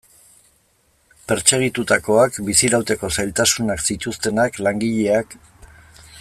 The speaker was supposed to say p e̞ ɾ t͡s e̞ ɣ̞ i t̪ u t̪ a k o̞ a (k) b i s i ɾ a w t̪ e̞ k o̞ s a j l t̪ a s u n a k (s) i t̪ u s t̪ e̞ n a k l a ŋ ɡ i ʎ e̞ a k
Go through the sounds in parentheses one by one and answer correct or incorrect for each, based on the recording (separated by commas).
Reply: correct, correct